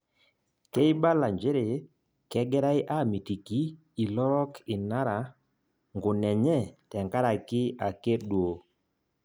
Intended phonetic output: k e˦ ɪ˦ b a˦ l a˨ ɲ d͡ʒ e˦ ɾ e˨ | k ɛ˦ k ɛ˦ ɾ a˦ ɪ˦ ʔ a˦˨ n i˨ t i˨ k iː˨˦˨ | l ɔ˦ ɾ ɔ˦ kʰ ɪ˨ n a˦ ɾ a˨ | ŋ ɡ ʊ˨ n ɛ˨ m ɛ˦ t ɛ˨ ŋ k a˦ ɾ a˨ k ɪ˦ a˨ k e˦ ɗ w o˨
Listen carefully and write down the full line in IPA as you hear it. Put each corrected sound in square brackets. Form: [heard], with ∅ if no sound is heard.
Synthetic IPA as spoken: k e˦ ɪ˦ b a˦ l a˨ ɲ d͡ʒ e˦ ɾ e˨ | k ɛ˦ [ɡ] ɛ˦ ɾ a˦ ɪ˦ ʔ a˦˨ [m] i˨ t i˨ k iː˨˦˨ | l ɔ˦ ɾ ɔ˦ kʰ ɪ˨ n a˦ ɾ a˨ | ŋ ɡ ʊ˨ n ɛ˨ [ɲ] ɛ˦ t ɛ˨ ŋ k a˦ ɾ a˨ k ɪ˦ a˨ k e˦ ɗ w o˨